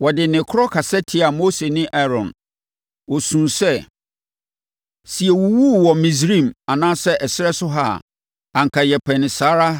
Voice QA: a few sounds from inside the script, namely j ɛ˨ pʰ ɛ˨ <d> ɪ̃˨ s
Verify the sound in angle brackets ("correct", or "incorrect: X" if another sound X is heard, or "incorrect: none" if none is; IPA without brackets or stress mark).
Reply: incorrect: n